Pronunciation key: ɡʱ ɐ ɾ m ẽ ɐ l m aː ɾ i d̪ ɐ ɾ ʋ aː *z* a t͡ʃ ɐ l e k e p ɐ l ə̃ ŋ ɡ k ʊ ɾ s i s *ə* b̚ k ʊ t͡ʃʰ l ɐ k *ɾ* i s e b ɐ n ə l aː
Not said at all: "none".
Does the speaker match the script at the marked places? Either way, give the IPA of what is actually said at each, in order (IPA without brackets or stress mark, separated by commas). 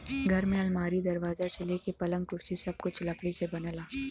z, ɐ, ɽ